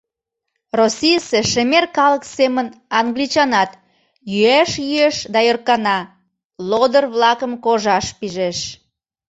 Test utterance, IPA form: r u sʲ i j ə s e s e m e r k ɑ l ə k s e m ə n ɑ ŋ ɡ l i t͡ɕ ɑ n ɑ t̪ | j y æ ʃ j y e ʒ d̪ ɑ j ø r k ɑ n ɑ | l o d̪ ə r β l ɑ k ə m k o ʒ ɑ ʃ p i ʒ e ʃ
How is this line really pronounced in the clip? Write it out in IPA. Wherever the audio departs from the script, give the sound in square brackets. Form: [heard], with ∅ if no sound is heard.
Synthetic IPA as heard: r [o] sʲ i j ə s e [ʃ] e m e r k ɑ l ə k s e m ə n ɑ ŋ ɡ l i t͡ɕ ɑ n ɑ t̪ | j y æ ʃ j y e [ʃ] d̪ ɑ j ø r k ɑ n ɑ | l o d̪ ə r β l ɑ k ə m k o ʒ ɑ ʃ p i ʒ e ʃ